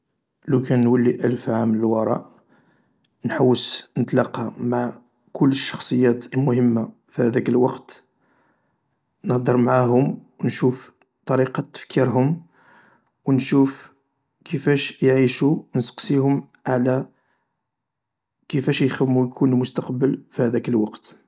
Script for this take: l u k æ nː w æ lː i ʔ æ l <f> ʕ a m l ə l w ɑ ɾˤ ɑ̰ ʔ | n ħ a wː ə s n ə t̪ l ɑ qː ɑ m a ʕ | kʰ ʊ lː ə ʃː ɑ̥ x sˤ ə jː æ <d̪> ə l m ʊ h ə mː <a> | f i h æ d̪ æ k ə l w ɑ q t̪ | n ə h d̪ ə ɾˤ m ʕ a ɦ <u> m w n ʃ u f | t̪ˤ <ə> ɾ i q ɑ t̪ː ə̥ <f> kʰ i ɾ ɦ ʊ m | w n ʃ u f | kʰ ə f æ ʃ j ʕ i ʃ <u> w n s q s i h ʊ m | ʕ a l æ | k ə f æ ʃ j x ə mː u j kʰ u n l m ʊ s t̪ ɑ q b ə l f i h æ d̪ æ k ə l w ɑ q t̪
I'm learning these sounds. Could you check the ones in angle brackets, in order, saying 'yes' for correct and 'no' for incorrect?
yes, no, yes, no, no, yes, yes

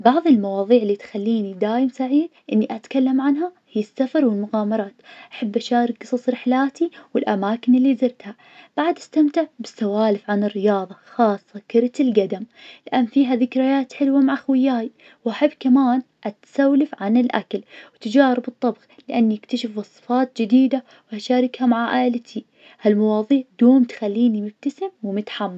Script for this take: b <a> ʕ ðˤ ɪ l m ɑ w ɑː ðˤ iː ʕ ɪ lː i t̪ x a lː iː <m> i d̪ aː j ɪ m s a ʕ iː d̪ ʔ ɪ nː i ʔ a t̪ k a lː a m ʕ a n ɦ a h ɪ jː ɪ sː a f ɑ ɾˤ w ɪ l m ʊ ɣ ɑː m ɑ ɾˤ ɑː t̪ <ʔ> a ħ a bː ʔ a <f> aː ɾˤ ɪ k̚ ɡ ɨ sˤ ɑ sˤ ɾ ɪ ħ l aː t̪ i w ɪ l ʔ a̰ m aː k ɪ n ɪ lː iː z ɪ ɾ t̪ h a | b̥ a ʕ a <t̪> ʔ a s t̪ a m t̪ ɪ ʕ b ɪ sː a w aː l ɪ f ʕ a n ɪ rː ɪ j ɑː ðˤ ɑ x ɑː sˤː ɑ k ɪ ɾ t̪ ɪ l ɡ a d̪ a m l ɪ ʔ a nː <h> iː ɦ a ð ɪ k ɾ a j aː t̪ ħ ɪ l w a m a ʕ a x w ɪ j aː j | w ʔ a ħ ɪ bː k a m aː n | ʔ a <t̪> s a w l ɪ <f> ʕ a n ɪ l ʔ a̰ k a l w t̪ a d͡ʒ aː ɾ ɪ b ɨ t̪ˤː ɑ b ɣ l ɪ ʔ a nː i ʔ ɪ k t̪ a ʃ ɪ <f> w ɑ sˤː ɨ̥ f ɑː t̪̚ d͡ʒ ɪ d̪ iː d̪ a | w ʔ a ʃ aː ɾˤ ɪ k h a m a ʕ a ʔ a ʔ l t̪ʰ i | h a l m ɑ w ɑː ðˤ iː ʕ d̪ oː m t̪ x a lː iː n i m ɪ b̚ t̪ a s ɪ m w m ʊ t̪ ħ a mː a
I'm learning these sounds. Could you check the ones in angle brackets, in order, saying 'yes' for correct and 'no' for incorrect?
no, no, yes, no, no, no, yes, yes, yes

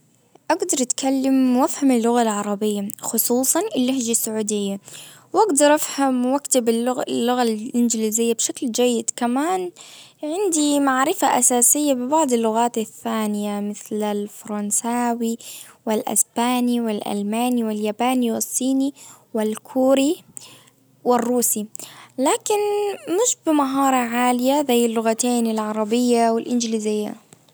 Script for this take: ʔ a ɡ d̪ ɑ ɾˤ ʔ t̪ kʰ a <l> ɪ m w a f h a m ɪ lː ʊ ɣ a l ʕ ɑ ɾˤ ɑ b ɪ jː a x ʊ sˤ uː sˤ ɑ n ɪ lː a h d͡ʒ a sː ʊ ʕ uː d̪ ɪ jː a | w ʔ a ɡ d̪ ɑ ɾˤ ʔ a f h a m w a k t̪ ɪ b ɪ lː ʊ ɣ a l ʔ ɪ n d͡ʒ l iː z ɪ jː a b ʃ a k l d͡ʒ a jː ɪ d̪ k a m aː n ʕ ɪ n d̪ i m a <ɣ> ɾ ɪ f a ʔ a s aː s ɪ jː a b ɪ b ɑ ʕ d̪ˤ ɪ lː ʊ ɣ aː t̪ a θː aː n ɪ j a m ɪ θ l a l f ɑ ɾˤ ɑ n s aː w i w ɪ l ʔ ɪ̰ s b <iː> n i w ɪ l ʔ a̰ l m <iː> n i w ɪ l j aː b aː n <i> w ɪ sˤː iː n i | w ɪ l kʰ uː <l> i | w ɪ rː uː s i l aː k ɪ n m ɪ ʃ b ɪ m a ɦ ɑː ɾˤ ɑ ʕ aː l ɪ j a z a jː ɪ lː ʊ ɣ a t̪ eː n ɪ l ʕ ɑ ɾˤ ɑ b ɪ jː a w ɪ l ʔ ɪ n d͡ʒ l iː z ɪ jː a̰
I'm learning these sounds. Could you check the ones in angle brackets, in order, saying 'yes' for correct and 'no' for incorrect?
no, no, no, no, yes, no

